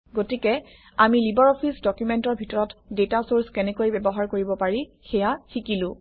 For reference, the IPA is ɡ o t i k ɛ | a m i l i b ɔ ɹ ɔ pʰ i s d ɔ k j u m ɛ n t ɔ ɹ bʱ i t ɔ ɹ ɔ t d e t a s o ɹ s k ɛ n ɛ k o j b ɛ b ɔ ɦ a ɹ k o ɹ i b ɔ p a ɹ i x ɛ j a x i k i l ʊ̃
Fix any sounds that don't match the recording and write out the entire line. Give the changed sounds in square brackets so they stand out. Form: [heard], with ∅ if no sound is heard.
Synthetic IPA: ɡ o t i k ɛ | a m i l i b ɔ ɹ ɔ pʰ i s d ɔ k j u m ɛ n t ɔ ɹ bʱ i t ɔ ɹ ɔ t d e t a s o ɹ s k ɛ n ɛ k o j b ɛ b ɔ ɦ a ɹ k o ɹ i b ɔ p a ɹ i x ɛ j a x i k i l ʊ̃